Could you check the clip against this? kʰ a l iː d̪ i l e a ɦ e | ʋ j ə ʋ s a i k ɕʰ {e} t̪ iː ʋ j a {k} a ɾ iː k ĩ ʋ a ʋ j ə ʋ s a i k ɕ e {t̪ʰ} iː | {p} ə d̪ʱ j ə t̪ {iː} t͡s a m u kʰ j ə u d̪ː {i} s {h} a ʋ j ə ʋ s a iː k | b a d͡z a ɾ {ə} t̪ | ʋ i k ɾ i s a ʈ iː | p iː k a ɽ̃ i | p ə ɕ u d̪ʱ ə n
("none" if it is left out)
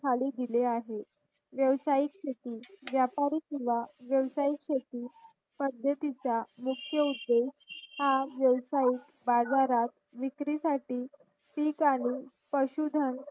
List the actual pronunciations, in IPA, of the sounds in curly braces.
e, p, t̪, p, i, e, h, a

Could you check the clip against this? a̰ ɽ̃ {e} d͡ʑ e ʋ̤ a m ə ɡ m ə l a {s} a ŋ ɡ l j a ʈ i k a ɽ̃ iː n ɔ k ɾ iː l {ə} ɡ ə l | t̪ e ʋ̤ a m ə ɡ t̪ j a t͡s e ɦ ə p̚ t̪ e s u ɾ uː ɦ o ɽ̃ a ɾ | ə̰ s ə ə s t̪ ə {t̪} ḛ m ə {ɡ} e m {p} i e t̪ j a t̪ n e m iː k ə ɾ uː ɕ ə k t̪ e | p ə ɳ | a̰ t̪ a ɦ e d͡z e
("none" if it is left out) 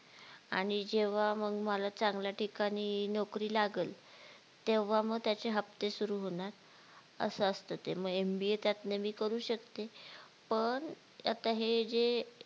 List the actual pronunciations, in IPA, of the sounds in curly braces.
i, t͡s, a, t̪, ɡ, b

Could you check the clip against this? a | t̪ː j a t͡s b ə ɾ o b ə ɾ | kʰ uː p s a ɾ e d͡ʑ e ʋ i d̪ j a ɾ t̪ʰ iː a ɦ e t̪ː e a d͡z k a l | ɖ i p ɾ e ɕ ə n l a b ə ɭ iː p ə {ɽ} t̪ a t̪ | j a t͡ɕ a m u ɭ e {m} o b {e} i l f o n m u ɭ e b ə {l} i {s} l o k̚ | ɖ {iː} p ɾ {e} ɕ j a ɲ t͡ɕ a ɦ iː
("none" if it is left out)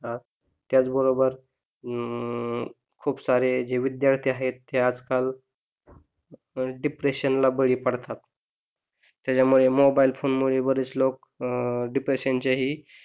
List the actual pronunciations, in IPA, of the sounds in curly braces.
ɽ, m, a, ɾ, t͡s, i, e

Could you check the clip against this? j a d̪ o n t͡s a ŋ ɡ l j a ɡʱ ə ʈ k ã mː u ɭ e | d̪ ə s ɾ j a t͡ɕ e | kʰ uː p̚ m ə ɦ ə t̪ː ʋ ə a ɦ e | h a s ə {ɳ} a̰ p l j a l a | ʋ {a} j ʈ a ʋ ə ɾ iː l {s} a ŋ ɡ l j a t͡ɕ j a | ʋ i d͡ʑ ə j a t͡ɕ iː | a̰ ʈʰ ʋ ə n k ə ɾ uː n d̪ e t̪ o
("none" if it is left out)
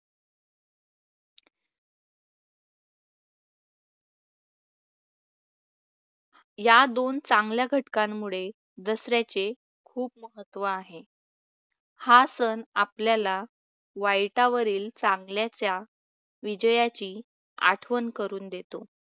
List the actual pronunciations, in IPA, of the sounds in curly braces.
n, a, t͡s

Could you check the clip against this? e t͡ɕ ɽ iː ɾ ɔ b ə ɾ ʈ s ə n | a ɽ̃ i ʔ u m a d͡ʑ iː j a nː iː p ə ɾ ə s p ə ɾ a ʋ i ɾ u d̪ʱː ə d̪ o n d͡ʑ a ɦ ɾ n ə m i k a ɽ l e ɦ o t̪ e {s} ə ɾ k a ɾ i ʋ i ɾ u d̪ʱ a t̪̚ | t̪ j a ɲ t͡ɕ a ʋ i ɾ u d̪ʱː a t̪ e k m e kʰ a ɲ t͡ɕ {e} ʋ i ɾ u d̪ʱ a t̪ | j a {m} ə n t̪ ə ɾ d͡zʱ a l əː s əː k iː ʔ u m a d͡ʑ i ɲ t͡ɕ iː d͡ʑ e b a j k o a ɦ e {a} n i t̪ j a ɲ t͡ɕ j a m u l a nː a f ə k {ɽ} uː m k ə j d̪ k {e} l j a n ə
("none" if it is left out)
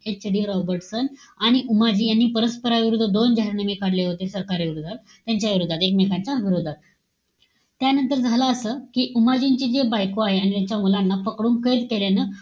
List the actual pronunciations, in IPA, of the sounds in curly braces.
s, a, n, a, ɽ, e

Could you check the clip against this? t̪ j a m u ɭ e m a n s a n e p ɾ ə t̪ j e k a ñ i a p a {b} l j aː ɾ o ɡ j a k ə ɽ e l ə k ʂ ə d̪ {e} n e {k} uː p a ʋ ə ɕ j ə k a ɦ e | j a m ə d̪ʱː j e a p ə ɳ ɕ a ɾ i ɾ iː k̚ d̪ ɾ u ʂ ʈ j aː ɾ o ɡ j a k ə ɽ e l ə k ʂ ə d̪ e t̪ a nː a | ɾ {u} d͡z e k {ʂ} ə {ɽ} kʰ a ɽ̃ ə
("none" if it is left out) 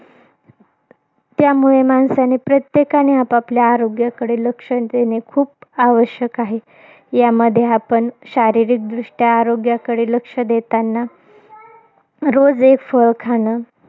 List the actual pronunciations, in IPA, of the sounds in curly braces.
p, e, kʰ, o, f, ɭ

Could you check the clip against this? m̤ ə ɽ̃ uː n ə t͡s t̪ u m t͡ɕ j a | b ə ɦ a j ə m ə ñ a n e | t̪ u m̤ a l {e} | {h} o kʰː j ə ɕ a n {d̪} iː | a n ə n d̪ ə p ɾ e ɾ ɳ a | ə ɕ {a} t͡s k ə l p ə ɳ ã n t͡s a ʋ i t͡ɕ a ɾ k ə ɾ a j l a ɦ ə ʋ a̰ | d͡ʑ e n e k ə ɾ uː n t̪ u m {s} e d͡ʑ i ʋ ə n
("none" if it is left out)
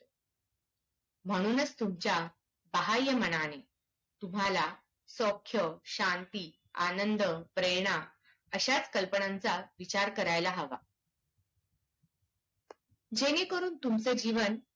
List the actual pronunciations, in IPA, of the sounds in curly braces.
a, s, t̪, a, t͡s

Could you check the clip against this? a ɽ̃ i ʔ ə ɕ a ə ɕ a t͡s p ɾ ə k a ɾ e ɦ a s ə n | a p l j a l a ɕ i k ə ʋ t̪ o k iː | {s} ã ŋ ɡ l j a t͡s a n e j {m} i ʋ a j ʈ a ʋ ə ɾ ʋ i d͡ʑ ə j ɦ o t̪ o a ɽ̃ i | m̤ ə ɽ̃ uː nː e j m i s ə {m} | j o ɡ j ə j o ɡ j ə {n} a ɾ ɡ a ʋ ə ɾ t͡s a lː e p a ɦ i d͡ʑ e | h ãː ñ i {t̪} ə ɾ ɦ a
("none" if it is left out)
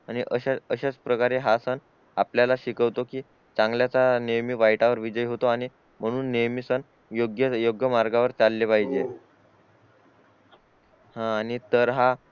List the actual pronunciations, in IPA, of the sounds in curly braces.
t͡s, m, n, m, t̪

